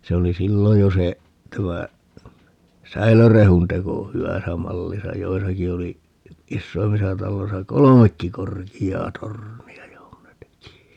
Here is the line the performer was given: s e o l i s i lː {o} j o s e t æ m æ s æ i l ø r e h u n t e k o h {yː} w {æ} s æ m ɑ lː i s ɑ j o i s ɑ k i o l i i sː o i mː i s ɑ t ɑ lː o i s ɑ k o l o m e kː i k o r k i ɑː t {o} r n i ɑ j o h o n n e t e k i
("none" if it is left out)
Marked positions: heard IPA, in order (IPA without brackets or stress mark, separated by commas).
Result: o, y, æ, o